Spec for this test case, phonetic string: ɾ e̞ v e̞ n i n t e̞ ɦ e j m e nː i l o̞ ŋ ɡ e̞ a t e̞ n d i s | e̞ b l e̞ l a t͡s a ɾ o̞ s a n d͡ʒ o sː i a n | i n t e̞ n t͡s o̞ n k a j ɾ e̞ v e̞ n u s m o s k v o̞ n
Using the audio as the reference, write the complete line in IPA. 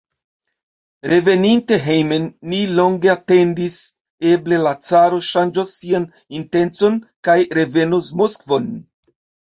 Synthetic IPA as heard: ɾ e̞ v e̞ n i n t e̞ ɦ e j m e nː i l o̞ ŋ ɡ e̞ a t e̞ n d i s | e̞ b l e̞ l a t͡s a ɾ o̞ ʃ a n d͡ʒ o sː i a n | i n t e̞ n t͡s o̞ n k a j ɾ e̞ v e̞ n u s m o s k v o̞ n